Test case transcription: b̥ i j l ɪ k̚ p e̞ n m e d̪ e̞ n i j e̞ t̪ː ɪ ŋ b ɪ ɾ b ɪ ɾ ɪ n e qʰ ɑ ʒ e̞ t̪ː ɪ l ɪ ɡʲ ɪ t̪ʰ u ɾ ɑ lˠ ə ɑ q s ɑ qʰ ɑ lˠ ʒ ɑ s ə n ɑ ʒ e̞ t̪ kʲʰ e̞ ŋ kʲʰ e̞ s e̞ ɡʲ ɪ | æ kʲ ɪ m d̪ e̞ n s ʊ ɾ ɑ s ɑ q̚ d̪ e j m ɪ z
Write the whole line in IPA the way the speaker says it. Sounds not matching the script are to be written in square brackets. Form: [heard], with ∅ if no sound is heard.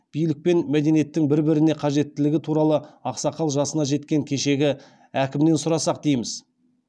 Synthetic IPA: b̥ i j l ɪ k̚ p e̞ n m [æ] d̪ e̞ n i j e̞ t̪ː ɪ ŋ b ɪ ɾ b ɪ ɾ ɪ n e qʰ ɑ ʒ e̞ t̪ː ɪ l ɪ ɡʲ ɪ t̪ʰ u ɾ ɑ lˠ ə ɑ q s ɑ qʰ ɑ lˠ ʒ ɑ s ə n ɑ ʒ e̞ t̪ [kʲ] e̞ ŋ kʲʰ e̞ [ʃ] e̞ ɡʲ ɪ | æ kʲ ɪ m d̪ e̞ n s ʊ ɾ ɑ s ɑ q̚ d̪ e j m ɪ z

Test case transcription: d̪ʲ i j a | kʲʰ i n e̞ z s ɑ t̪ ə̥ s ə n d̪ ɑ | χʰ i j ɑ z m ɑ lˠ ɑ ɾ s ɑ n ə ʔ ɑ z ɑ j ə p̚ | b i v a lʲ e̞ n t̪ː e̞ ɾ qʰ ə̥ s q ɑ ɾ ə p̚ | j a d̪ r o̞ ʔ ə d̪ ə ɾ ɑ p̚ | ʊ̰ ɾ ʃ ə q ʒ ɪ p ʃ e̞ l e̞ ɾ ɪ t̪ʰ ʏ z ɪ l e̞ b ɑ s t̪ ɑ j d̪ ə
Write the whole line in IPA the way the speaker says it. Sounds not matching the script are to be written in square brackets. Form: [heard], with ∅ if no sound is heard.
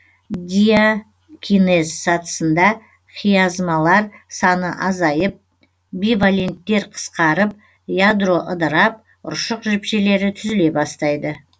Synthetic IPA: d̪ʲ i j a | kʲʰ i n e̞ z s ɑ t̪ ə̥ s ə n d̪ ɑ | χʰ i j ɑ z m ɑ lˠ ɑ ɾ s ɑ n ə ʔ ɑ z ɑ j ə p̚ | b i v a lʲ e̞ n t̪ː e̞ ɾ qʰ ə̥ s q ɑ ɾ ə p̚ | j a d̪ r o̞ ʔ ə d̪ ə ɾ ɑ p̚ | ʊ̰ ɾ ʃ ə q ʒ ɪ p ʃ e̞ l e̞ ɾ ɪ t̪ʰ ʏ z ɪ l e̞ b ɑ s t̪ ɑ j d̪ ə

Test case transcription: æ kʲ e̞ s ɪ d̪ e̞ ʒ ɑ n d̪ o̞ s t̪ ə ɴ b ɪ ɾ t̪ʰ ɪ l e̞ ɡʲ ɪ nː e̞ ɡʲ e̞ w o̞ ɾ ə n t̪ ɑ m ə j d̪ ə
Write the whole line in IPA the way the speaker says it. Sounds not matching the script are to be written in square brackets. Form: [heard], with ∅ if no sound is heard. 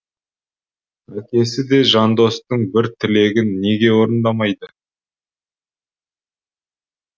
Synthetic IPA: æ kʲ e̞ s ɪ d̪ e̞ ʒ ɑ n d̪ o̞ s t̪ ə ɴ b ɪ ɾ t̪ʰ ɪ l e̞ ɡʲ ɪ nː e̞ ɡʲ e̞ w o̞ ɾ ə n [d̪] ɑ m [ɑ] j d̪ ə

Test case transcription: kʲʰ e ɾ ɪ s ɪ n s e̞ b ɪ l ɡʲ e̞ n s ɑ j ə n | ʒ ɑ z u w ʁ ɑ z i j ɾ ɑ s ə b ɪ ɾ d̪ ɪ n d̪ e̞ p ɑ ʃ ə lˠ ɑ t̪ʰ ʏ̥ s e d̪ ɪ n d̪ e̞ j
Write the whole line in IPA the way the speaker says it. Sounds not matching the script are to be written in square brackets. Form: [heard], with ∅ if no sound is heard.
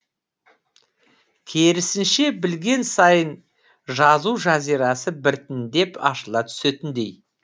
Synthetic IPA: kʲʰ e ɾ ɪ s ɪ n [ʃ] e̞ b ɪ l ɡʲ e̞ n s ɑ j ə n | ʒ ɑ z u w [ʒ] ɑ z i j ɾ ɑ s ə b ɪ ɾ [t̪] ɪ n d̪ e̞ p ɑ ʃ ə lˠ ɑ t̪ʰ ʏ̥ s e [t̪] ɪ n d̪ e̞ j

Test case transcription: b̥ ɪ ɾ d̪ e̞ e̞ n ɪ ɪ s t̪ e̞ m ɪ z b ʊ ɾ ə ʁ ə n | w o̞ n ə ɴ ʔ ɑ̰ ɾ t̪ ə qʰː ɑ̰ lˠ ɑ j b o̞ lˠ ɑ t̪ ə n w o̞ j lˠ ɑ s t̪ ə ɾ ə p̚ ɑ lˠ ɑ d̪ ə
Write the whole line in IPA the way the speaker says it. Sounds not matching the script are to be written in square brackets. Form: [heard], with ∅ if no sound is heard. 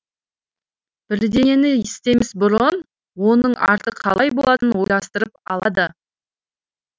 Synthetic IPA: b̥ ɪ ɾ d̪ e̞ e̞ n ɪ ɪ s t̪ e̞ m ɪ z b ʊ ɾ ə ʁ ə n | w o̞ n ə ɴ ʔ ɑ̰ ɾ t̪ ə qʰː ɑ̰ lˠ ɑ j b o̞ lˠ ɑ t̪ ə n w o̞ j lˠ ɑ s t̪ ə ɾ ə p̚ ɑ lˠ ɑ d̪ ə

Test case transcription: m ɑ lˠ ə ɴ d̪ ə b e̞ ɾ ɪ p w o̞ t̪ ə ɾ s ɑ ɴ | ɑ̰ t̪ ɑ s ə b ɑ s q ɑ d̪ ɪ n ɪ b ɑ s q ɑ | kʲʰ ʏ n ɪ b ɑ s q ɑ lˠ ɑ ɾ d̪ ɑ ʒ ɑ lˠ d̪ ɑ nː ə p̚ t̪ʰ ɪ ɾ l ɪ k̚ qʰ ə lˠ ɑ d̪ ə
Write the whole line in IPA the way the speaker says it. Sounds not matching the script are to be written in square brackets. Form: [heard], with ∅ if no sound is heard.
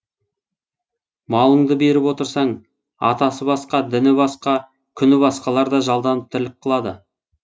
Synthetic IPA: m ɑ lˠ ə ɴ d̪ ə b e̞ ɾ ɪ p w o̞ t̪ ə ɾ s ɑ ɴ | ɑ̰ t̪ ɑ s ə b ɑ s q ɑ d̪ ɪ n ɪ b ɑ s q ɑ | kʲʰ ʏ n ɪ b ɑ s q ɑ lˠ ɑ ɾ d̪ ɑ ʒ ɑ lˠ d̪ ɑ [n] ə p̚ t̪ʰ ɪ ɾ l ɪ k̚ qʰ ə lˠ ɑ d̪ ə

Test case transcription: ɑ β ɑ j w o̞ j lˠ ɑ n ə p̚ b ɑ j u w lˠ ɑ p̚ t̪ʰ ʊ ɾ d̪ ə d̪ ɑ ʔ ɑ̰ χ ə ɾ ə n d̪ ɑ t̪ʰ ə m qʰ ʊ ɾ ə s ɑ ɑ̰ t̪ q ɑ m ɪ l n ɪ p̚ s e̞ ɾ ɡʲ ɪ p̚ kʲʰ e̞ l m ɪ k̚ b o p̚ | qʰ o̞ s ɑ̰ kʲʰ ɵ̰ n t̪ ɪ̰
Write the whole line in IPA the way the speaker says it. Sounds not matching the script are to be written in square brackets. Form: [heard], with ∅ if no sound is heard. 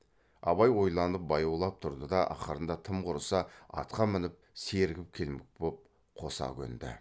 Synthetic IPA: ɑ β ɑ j w o̞ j lˠ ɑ n ə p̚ b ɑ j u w lˠ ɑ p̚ t̪ʰ ʊ ɾ d̪ ə d̪ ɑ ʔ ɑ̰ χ ə ɾ ə n d̪ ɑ t̪ʰ ə m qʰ ʊ ɾ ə s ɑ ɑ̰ t̪ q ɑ m ɪ [∅] n ɪ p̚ s e̞ ɾ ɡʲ ɪ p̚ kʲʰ e̞ l m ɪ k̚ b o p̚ | qʰ o̞ s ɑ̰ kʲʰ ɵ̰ n [d̪] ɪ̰

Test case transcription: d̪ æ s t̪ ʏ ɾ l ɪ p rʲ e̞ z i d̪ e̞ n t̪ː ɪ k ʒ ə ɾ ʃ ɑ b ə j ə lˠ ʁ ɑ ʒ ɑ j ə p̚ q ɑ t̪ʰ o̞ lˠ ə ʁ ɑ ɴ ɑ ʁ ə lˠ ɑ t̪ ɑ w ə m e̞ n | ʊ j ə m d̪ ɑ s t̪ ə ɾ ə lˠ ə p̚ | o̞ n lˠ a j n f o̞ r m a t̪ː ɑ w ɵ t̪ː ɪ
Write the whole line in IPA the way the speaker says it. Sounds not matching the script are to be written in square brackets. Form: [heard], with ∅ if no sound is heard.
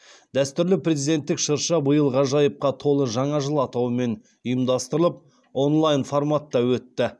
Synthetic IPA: d̪ æ s t̪ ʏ ɾ l ɪ p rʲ e̞ z i d̪ e̞ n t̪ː ɪ k [ʃ] ə ɾ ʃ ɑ b ə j ə lˠ ʁ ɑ ʒ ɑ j ə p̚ q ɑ t̪ʰ o̞ lˠ ə [ʒ] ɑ ɴ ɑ [ʒ] ə lˠ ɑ t̪ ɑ w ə m e̞ n | ʊ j ə m d̪ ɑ s t̪ ə ɾ ə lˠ ə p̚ | o̞ n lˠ a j n f o̞ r m a t̪ː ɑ w ɵ t̪ː ɪ

